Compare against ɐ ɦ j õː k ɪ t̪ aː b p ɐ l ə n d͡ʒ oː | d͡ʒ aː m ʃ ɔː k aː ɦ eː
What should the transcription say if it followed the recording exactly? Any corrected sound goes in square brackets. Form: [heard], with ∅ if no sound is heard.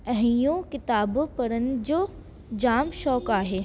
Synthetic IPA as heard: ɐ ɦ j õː k ɪ t̪ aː b p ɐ [ɾ] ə n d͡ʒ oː | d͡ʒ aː m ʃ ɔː k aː ɦ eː

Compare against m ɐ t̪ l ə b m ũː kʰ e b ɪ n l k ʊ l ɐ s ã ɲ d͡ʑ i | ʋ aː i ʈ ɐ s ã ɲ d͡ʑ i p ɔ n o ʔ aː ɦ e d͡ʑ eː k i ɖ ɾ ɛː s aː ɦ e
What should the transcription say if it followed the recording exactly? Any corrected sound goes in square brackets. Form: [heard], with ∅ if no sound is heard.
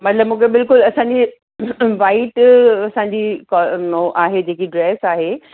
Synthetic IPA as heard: m ɐ t̪ l ə b m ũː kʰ e b ɪ [∅] l k ʊ l ɐ s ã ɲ d͡ʑ i | ʋ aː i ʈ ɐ s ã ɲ d͡ʑ i [k] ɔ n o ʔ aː ɦ e d͡ʑ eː k i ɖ ɾ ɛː s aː ɦ e

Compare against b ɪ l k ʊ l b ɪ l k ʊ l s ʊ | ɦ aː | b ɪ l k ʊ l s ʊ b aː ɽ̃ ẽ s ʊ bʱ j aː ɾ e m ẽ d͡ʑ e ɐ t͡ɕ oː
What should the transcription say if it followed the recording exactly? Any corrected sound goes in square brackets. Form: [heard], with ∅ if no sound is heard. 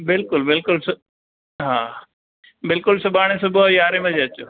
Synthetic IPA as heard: b ɪ l k ʊ l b ɪ l k ʊ l s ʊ | ɦ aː | b ɪ l k ʊ l s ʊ b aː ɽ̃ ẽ s ʊ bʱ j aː ɾ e m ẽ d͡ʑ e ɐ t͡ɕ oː

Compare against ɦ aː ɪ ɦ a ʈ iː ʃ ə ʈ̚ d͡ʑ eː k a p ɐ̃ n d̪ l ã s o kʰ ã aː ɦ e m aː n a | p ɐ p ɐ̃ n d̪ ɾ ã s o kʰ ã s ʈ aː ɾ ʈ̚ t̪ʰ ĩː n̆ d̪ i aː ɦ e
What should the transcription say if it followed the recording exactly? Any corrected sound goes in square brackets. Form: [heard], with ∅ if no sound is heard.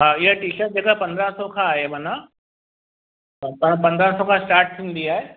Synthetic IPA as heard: ɦ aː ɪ ɦ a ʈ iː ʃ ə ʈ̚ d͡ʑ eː k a p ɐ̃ n d̪ [ɾ] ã s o kʰ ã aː ɦ e m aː n a | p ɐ p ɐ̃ n d̪ ɾ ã s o kʰ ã s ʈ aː ɾ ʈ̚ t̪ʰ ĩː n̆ d̪ i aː ɦ e

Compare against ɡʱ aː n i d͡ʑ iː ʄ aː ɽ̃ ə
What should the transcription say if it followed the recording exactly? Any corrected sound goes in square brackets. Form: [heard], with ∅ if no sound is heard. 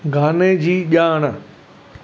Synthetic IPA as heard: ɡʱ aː n [e] d͡ʑ iː ʄ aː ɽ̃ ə

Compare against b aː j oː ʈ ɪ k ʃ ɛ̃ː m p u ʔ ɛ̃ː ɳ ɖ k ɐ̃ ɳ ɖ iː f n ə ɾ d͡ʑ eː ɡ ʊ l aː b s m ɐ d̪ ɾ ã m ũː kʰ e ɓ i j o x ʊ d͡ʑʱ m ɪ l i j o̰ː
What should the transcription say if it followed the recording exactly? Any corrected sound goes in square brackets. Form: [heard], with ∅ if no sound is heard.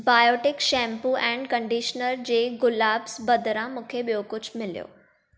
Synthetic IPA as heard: b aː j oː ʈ ɪ k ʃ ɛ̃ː m p u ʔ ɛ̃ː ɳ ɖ k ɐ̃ ɳ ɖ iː [ʃ] n ə ɾ d͡ʑ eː ɡ ʊ l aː b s [b] ɐ d̪ ɾ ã m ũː kʰ e ɓ i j o [k] ʊ d͡ʑʱ m ɪ l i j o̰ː

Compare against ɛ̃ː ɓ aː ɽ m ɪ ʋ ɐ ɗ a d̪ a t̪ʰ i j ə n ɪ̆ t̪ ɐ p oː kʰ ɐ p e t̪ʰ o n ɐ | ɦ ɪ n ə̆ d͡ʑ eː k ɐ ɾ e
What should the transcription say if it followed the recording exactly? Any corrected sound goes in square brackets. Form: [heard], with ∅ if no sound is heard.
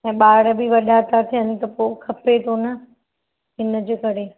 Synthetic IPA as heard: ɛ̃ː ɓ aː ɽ [b] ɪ ʋ ɐ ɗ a [t̪] a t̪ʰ i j ə n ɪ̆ t̪ ɐ p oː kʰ ɐ p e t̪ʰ o n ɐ | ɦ ɪ n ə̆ d͡ʑ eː k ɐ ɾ e

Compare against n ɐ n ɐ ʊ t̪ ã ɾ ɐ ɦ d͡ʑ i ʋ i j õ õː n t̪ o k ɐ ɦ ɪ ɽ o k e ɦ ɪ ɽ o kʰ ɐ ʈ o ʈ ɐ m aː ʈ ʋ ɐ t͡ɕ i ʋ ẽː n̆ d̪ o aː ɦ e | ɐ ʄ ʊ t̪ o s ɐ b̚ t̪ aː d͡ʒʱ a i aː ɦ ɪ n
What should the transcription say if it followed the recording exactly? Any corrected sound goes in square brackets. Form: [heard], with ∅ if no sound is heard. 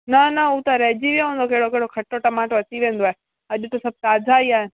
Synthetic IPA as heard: n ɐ n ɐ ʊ t̪ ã ɾ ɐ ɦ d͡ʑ i ʋ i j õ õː n [d̪] o k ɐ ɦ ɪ ɽ o k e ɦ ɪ ɽ o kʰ ɐ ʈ o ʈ ɐ m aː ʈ ʋ ɐ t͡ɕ i ʋ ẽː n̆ d̪ o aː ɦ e | ɐ ʄ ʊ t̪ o s ɐ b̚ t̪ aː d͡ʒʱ a i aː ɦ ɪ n

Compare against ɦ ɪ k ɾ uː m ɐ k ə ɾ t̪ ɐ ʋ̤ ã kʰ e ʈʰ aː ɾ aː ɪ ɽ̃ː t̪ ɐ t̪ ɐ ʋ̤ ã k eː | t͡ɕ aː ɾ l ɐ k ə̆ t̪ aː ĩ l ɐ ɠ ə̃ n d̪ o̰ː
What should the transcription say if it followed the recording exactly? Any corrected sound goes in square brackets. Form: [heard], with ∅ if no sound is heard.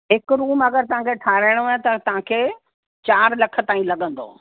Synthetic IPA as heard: ɦ ɪ k ɾ uː m ɐ [ɡ] ə ɾ t̪ ɐ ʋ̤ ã kʰ e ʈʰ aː ɾ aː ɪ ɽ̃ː t̪ ɐ t̪ ɐ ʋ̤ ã [kʰ] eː | t͡ɕ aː ɾ l ɐ [kʰ] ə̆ t̪ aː ĩ l ɐ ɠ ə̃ n d̪ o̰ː

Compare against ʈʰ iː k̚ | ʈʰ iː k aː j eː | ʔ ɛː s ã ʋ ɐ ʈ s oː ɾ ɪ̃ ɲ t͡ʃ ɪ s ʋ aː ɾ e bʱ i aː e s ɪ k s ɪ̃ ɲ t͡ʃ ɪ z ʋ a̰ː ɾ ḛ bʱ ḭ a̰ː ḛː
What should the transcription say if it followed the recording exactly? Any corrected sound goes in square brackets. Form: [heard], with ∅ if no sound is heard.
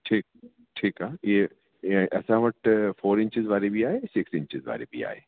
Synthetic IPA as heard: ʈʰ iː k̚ | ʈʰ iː k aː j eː | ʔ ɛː s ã ʋ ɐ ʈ [f] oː ɾ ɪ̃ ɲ t͡ʃ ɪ [z] ʋ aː ɾ e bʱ i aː e s ɪ k s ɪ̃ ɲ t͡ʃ ɪ z ʋ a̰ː ɾ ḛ bʱ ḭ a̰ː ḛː

